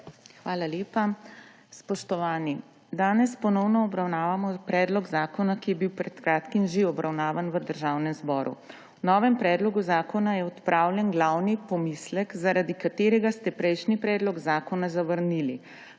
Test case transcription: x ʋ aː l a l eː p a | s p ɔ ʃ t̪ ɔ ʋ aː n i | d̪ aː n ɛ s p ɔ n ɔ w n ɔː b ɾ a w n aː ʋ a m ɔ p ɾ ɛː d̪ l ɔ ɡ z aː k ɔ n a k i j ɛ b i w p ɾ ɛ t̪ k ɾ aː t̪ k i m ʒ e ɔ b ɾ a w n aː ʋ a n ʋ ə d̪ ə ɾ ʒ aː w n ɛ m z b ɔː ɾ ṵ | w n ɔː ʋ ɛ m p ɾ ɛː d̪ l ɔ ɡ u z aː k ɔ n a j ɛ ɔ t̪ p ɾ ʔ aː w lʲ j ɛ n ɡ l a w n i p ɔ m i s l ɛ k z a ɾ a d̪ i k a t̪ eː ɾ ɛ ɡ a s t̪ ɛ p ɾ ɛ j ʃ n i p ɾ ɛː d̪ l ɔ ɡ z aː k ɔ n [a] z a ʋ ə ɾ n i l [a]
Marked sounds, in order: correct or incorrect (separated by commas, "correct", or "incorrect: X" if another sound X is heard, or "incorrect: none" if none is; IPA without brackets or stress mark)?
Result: correct, incorrect: i